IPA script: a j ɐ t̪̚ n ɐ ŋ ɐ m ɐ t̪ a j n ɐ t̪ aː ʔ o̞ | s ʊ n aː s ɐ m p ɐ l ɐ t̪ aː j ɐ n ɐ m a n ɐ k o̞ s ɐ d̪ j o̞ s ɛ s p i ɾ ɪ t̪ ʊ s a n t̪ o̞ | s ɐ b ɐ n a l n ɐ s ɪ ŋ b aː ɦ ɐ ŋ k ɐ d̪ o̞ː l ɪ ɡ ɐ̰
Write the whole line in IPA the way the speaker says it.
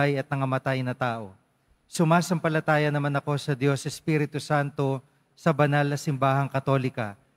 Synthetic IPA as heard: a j ɐ t̪̚ n ɐ ŋ ɐ m ɐ t̪ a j n ɐ t̪ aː ʔ o̞ | s ʊ m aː s ɐ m p ɐ l ɐ t̪ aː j ɐ n ɐ m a n ɐ k o̞ s ɐ d̪ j o̞ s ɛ s p i ɾ ɪ t̪ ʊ s a n t̪ o̞ | s ɐ b ɐ n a l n ɐ s ɪ m b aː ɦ ɐ ŋ k ɐ t̪ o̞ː l ɪ k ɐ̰